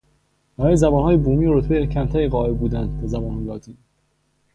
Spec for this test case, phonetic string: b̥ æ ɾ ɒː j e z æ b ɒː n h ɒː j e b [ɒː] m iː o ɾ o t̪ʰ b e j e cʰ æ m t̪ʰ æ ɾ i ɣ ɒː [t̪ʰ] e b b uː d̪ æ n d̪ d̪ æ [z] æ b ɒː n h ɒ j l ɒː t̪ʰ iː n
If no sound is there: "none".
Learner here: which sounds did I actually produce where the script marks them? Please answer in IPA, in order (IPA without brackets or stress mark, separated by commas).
uː, none, z